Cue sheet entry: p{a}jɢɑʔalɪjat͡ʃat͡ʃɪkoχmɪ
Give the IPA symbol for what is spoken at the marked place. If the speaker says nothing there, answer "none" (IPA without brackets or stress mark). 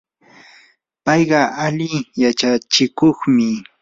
ɑ